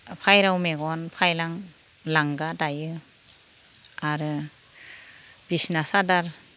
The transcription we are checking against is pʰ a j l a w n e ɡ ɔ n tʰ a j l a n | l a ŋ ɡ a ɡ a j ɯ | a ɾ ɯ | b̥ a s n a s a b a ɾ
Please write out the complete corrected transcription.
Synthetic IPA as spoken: pʰ a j ɾ a w m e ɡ ɔ n pʰ a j l a ŋ | l a ŋ ɡ a d a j ɯ | a ɾ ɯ | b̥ i s n a s a d a ɾ